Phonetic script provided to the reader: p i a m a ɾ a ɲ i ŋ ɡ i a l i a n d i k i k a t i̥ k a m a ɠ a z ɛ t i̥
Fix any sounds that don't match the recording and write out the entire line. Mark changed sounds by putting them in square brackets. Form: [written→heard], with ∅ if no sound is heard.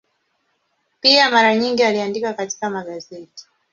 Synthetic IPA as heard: p i a m a ɾ a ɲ i ŋ ɡ i a l i a n d i k [i→a] k a t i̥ k a m a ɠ a z ɛ t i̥